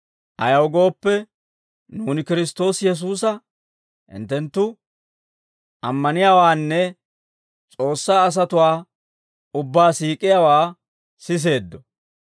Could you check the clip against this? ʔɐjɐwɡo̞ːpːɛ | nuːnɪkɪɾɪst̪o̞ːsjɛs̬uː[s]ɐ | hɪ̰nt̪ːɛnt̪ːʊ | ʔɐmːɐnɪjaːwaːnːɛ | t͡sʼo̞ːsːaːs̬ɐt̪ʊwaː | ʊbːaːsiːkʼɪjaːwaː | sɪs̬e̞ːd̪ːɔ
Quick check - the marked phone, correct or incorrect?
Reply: correct